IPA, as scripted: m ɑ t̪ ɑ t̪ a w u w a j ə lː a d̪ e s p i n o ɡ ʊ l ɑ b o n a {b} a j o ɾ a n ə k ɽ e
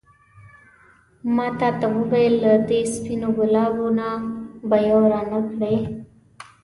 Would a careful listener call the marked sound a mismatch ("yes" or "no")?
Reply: no